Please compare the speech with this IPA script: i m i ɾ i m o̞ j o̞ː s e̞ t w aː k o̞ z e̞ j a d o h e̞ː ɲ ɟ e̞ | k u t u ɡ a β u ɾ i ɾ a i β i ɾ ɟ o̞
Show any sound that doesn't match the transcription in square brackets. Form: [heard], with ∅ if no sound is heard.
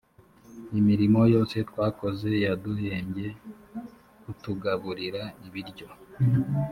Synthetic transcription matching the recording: i m i ɾ i m o̞ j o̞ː s e̞ t w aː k o̞ z e̞ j a d [u] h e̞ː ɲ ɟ e̞ | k u t u ɡ a β u ɾ i ɾ a i β i ɾ ɟ o̞